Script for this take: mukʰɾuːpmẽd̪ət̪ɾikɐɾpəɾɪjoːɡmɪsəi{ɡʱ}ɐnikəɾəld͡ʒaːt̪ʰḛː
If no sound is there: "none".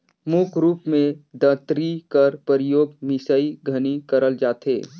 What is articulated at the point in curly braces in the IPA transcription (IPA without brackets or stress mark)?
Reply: ɡʱ